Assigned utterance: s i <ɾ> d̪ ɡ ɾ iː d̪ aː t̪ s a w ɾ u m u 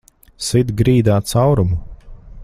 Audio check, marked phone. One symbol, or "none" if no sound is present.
none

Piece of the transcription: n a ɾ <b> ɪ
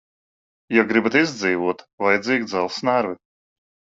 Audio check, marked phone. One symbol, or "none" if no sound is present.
v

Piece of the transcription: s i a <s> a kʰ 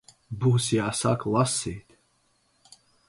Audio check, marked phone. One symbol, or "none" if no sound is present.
s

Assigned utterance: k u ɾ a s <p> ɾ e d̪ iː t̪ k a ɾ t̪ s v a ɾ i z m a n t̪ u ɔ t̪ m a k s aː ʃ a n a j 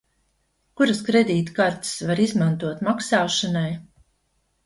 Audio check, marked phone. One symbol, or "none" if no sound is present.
k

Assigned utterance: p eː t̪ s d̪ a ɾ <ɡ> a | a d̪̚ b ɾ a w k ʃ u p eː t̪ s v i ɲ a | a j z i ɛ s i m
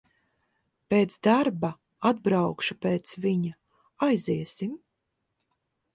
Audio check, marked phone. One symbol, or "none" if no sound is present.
b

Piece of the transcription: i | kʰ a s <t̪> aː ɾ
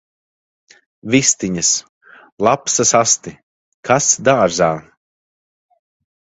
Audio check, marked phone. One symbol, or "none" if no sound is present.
d̪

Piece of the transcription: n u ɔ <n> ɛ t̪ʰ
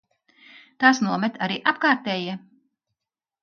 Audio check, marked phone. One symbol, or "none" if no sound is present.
m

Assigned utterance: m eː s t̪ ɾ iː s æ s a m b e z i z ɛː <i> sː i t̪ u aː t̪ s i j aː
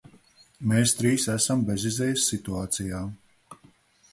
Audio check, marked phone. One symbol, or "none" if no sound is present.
j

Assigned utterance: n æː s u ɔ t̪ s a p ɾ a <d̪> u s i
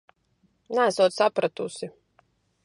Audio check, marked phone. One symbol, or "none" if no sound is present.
t̪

